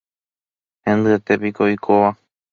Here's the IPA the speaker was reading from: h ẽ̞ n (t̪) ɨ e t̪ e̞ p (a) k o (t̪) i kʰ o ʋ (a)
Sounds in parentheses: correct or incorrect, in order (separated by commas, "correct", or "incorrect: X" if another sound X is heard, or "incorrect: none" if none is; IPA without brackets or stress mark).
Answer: incorrect: d̪, incorrect: i, incorrect: none, correct